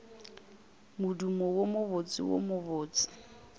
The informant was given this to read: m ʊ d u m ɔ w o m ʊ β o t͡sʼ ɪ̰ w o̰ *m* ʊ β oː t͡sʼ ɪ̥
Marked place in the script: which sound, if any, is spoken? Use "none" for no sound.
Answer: m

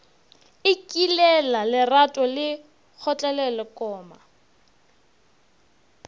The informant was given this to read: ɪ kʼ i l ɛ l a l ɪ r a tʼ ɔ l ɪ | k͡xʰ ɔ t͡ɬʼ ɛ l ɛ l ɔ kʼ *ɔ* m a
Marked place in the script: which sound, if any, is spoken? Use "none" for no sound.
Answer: ɔː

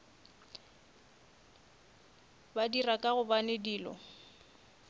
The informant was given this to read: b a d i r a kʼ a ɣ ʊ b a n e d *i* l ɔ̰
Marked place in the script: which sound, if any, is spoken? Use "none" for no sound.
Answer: iː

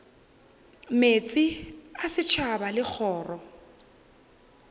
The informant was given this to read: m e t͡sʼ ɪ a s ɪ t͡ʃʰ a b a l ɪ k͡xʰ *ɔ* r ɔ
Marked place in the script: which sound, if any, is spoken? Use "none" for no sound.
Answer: ɔː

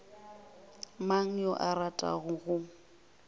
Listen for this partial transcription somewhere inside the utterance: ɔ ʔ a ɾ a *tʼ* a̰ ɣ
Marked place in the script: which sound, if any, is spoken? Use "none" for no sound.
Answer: tʼ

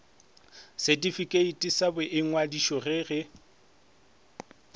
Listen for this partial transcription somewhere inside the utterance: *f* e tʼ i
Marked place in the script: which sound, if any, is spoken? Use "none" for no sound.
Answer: s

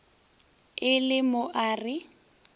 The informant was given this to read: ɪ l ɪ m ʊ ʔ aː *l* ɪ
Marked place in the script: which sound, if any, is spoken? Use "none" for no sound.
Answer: r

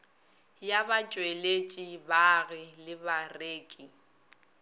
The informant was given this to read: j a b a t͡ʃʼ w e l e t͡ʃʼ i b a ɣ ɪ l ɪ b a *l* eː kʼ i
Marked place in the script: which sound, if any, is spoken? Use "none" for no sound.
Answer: r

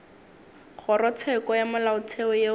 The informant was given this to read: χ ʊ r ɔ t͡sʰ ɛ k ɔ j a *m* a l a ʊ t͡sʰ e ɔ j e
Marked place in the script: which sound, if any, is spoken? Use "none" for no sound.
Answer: m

